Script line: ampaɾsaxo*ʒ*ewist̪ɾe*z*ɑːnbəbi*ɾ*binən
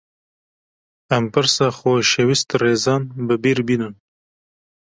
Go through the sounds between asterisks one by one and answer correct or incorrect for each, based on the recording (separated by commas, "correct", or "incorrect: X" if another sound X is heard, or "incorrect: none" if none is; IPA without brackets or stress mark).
incorrect: ʃ, correct, correct